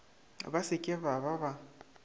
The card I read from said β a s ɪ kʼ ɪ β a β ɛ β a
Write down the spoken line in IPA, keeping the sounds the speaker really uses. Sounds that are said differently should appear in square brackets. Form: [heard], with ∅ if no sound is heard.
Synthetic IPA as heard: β a s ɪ kʼ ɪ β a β [a] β a